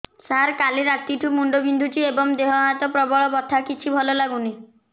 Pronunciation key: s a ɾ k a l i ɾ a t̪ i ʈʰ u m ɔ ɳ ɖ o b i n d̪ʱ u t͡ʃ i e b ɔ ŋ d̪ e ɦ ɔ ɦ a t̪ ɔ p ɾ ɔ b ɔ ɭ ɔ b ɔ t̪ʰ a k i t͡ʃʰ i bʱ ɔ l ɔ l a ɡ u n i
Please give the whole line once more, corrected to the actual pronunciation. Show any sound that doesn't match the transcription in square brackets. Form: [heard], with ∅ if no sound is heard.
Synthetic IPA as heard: s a ɾ k a l i ɾ a t̪ i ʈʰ u m [u] ɳ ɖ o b i n d̪ʱ u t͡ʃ i e b ɔ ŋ d̪ e ɦ ɔ ɦ a t̪ ɔ p ɾ ɔ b ɔ ɭ ɔ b ɔ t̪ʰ a k i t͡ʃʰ i bʱ ɔ l ɔ l a ɡ u n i

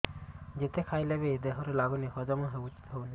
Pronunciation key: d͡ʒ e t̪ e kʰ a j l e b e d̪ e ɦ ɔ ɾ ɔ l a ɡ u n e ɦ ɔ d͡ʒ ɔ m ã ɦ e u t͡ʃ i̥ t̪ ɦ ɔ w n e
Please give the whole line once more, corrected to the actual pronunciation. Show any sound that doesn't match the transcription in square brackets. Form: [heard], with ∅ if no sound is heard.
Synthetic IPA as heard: d͡ʒ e t̪ e kʰ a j l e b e d̪ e ɦ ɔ ɾ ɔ l a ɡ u n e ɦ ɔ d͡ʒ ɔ m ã ɦ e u t͡ʃ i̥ t̪ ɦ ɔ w n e

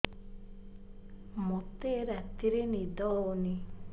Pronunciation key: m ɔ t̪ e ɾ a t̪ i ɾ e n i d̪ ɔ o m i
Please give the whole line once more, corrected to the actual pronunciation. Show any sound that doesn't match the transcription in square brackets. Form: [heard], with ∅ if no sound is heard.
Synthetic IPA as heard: m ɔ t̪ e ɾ a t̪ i ɾ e n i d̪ ɔ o [n] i

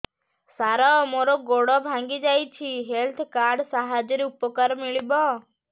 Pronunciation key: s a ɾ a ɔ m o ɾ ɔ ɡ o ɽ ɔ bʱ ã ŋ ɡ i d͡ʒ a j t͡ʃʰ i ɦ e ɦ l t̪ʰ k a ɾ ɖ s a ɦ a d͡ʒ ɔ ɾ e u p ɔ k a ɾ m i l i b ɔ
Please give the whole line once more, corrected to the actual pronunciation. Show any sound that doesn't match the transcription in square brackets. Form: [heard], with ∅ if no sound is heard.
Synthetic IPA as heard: s a ɾ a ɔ m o ɾ ɔ ɡ o ɽ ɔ bʱ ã ŋ ɡ i d͡ʒ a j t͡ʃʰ i ɦ e [∅] l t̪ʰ k a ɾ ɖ s a ɦ a d͡ʒ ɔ ɾ e u p ɔ k a ɾ m i [ɭ] i b ɔ

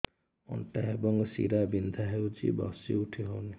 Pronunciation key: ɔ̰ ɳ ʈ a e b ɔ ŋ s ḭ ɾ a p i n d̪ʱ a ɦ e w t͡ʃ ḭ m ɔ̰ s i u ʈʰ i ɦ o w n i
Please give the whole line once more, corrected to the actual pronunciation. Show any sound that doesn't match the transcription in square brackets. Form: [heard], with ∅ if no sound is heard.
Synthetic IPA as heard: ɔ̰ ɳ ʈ a e b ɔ ŋ s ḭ ɾ a [b] i n d̪ʱ a ɦ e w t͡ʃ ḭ [b] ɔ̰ s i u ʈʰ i ɦ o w n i

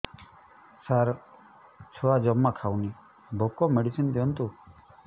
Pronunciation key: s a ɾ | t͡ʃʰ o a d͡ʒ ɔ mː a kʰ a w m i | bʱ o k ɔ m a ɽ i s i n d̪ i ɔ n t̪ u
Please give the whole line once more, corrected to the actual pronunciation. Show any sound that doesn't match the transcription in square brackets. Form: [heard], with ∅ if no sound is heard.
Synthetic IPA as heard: s a ɾ | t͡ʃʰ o a d͡ʒ ɔ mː a kʰ a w [n] i | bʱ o k ɔ m [e] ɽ i s i n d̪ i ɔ n t̪ u

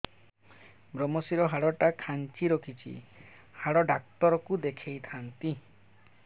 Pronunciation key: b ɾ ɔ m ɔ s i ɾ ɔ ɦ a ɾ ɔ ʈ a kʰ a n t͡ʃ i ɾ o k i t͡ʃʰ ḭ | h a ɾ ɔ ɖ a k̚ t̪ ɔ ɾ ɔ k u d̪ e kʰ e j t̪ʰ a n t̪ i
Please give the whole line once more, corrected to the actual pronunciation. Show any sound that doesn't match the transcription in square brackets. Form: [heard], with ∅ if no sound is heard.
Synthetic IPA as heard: b ɾ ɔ m ɔ s i ɾ ɔ ɦ a [ɽ] ɔ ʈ a kʰ a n t͡ʃ i ɾ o [kʰ] i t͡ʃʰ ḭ | h a [ɽ] ɔ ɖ a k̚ t̪ ɔ ɾ ɔ k u d̪ e kʰ e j t̪ʰ a n t̪ i

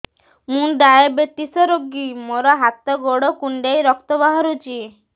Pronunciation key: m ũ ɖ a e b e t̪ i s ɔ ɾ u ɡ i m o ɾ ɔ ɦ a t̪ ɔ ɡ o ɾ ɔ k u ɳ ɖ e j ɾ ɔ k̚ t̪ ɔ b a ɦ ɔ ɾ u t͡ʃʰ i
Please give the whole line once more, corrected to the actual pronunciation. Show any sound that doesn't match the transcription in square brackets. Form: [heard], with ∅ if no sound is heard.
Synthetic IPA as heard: m ũ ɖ a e b e t̪ i s ɔ ɾ [o] ɡ i m o ɾ ɔ ɦ a t̪ ɔ ɡ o [ɽ] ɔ k u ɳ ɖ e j ɾ ɔ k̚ t̪ ɔ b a ɦ ɔ ɾ u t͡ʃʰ i

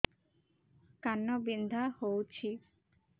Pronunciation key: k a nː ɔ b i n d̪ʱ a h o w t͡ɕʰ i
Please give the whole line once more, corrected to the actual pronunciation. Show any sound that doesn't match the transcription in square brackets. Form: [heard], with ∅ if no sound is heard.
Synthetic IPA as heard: k a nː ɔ b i n d̪ʱ a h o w t͡ɕʰ i

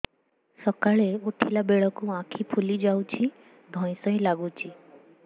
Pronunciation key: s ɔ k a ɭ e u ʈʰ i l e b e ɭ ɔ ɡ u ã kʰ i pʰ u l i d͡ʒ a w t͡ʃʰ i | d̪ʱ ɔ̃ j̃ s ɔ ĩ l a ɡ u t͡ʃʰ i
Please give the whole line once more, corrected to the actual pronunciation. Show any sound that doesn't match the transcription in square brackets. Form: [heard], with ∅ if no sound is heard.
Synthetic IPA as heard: s ɔ k a ɭ e u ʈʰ i l [a] b e ɭ ɔ [k] u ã kʰ i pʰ u l i d͡ʒ a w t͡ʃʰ i | d̪ʱ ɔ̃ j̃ s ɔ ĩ l a ɡ u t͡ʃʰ i

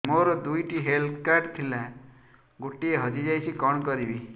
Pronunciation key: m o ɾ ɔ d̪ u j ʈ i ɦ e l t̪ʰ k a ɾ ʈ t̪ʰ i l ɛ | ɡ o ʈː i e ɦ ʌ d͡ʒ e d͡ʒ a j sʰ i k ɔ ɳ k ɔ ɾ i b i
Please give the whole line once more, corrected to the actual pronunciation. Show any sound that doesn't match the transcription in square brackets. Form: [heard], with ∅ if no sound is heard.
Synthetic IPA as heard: m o ɾ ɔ d̪ u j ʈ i ɦ e l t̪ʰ k a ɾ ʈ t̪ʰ i l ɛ | ɡ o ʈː i e ɦ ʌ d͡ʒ [i] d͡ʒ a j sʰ i k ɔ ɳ k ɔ ɾ i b i

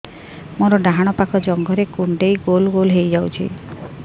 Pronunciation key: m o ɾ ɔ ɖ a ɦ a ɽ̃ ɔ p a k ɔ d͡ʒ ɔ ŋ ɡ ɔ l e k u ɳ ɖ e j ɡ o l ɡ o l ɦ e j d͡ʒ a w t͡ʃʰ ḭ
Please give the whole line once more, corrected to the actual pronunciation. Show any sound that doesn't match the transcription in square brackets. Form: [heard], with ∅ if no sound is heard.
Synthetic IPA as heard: m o ɾ ɔ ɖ a ɦ a ɽ̃ ɔ p a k ɔ d͡ʒ ɔ ŋ ɡ ɔ [ɾ] e k u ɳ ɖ e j ɡ o l ɡ o l ɦ e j d͡ʒ a w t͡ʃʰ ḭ

